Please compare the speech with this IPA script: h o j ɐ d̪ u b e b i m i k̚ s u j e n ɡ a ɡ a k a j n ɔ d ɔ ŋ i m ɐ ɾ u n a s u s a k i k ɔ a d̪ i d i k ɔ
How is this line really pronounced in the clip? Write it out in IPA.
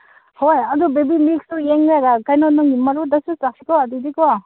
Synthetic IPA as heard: h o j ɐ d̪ u b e b i m i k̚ s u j e ŋ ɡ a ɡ a k a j n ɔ n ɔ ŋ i m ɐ ɾ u d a s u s a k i k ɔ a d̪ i d i k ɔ